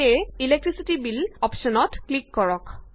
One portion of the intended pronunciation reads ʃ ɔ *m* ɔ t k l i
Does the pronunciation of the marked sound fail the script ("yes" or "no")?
yes